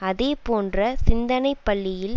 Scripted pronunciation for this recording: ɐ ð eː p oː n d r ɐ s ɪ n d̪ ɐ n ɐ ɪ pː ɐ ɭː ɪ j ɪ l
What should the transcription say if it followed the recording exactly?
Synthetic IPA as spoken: ɐ ð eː p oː n d r ɐ s ɪ n d̪ ɐ n ɐ ɪ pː ɐ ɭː ɪ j ɪ l